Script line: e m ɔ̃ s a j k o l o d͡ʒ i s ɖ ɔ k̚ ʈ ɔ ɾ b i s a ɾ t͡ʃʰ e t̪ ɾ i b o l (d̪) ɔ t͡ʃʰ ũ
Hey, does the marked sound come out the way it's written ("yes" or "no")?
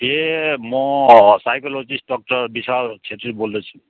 yes